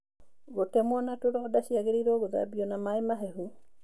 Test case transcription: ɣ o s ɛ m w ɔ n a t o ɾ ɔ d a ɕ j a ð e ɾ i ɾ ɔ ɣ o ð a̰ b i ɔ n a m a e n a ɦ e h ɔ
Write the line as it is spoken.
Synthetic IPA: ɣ o t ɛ m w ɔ n a t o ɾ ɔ d a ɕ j a ɣ e ɾ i ɾ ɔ ɣ o ð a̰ b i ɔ n a m a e m a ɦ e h u